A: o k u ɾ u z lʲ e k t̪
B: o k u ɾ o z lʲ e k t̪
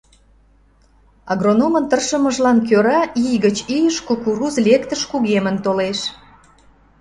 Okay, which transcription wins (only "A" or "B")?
A